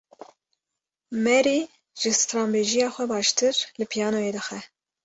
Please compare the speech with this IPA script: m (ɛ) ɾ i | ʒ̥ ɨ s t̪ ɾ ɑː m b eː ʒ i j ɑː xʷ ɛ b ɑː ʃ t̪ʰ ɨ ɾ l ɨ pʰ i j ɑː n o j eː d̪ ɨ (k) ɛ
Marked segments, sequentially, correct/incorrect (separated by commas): correct, incorrect